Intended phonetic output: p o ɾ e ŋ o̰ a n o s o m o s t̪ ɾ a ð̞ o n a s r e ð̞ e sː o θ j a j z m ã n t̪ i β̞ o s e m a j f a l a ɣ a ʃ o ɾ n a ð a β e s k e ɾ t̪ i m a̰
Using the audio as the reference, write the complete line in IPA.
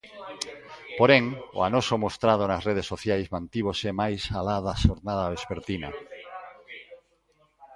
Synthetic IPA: p o ɾ e ŋ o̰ a n o s o m o s t̪ ɾ a ð̞ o n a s r e ð̞ e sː o θ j a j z m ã n t̪ i β̞ o s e m a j s a l a ð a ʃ o ɾ n a ð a β e s p e ɾ t̪ i n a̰